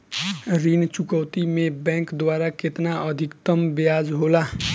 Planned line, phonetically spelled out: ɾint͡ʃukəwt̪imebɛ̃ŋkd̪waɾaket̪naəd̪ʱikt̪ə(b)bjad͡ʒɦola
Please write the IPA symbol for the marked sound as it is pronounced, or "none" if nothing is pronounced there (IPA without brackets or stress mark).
m